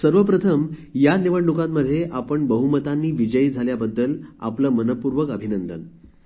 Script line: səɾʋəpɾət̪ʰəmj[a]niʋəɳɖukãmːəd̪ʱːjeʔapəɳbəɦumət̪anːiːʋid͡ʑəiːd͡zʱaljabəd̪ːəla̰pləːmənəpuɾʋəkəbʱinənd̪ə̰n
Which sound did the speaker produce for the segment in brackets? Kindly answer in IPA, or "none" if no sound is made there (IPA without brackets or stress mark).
a